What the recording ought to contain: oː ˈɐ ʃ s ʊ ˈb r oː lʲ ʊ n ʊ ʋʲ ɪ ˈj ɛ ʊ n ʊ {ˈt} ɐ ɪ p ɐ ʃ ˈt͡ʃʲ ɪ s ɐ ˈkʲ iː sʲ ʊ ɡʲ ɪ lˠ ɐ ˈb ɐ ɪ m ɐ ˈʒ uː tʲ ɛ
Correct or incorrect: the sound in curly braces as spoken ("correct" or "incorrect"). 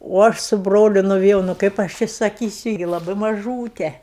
incorrect